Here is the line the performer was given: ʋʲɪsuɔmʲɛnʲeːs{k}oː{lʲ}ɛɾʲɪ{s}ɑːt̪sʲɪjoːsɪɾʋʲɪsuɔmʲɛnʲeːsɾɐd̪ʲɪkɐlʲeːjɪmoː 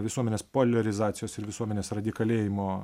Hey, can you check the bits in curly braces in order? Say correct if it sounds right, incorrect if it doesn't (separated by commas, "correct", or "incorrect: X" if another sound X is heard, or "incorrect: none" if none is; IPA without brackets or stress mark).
incorrect: p, correct, incorrect: z